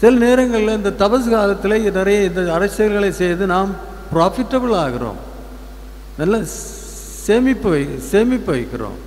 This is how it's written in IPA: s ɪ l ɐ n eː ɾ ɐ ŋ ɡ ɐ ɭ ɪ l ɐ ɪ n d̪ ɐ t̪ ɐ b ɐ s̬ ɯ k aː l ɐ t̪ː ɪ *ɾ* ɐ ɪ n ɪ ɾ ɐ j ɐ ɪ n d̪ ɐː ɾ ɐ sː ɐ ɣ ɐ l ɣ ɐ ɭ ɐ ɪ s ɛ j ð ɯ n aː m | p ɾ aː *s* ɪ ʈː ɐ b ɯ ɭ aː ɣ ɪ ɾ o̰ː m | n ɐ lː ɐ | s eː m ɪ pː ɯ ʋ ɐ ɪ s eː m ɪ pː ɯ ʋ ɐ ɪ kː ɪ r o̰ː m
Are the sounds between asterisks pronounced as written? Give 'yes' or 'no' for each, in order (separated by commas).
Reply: no, no